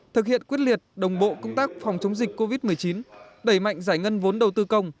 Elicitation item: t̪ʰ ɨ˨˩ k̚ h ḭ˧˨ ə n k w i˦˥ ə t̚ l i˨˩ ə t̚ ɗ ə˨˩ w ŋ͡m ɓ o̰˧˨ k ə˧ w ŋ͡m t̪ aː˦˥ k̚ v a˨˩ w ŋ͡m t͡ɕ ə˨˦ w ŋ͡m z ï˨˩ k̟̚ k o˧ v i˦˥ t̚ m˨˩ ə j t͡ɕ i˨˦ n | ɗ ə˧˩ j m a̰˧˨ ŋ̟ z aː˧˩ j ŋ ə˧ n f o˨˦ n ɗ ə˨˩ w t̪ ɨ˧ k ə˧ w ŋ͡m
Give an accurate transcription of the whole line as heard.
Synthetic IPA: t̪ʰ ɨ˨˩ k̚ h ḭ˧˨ ə n k w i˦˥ ə t̚ l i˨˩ ə t̚ ɗ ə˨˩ w ŋ͡m ɓ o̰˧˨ k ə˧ w ŋ͡m t̪ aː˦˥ k̚ f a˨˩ w ŋ͡m t͡ɕ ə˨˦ w ŋ͡m z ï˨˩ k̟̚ k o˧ v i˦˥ t̚ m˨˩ ə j t͡ɕ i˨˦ n | ɗ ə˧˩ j m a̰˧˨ ŋ̟ z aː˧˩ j ŋ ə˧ n v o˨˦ n ɗ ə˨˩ w t̪ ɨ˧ k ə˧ w ŋ͡m

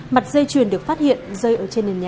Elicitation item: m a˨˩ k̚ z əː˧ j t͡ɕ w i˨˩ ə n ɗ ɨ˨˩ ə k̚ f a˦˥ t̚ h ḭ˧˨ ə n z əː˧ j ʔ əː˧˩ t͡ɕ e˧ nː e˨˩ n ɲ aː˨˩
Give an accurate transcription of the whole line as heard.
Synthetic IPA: m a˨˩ t̚ z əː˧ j t͡ɕ w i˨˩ ə n ɗ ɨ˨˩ ə k̚ f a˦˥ t̚ h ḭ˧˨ ə n z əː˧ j ʔ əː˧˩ t͡ɕ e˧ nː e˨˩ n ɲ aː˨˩

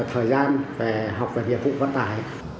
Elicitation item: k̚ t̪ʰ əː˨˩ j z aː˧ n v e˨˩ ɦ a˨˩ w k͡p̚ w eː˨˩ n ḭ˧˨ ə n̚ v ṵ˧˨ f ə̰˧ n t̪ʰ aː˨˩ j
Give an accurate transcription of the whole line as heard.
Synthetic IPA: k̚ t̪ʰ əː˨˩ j z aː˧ n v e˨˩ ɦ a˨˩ w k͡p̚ v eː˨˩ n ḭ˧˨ ə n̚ v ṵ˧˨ v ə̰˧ n t̪ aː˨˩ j

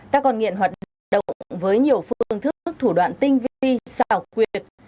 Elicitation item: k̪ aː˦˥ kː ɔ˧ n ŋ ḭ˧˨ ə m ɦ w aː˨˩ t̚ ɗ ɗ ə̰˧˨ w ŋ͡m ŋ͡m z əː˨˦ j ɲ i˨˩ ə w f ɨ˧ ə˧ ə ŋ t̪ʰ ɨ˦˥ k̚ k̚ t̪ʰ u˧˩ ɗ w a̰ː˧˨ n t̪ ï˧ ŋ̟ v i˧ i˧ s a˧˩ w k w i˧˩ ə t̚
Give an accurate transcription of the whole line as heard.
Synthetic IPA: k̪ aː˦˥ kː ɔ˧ n ŋ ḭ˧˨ ə n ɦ w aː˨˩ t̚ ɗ ɗ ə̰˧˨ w ŋ͡m ŋ͡m v əː˨˦ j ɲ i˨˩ ə w f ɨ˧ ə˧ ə ŋ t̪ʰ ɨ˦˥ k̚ k̚ t̪ʰ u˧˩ ɗ w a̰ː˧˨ n t̪ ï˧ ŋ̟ v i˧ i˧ s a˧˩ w k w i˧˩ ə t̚

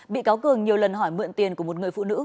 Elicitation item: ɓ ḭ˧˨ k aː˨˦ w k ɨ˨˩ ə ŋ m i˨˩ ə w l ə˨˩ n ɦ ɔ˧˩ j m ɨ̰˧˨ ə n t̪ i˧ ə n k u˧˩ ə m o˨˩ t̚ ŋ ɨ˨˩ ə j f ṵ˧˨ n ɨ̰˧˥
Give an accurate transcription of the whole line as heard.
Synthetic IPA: ɓ ḭ˧˨ k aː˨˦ w k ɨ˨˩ ə ŋ ɲ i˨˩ ə w l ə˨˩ n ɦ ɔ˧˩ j m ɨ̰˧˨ ə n t̪ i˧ ə n k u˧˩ ə m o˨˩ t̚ ŋ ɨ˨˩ ə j f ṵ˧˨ n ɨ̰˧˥

